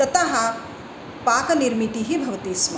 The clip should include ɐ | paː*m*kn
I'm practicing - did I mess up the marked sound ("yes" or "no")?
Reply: yes